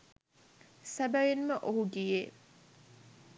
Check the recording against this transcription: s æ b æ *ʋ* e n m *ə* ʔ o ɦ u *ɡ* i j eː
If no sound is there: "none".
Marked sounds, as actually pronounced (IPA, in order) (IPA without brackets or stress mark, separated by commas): ʋ, ə, ɡ